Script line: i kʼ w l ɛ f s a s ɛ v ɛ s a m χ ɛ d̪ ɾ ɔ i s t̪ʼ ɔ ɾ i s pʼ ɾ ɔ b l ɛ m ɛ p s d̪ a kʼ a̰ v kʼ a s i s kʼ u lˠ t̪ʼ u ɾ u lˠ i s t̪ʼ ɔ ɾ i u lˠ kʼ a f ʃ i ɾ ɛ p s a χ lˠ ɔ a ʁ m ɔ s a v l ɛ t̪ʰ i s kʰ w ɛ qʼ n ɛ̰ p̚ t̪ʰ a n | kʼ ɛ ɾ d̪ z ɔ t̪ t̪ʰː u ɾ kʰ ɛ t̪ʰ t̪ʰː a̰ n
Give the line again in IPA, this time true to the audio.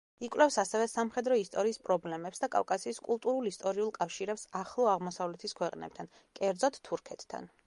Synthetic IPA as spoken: i kʼ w l ɛ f s a s ɛ v ɛ s a m χ ɛ d̪ ɾ ɔ i s t̪ʼ ɔ ɾ iː s pʼ ɾ ɔ b l ɛ m ɛ p s d̪ a kʼ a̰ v kʼ a s iː s kʼ u lˠ t̪ʼ u ɾ u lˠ i s t̪ʼ ɔ ɾ i u lˠ kʼ a f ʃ i ɾ ɛ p s a χ lˠ ɔ a ʁ m ɔ s a v l ɛ t̪ʰ i s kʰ w ɛ qʼ n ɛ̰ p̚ t̪ʰ a n | kʼ ɛ ɾ d̪ z ɔ t̪ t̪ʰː u ɾ kʰ ɛ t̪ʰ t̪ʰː a̰ n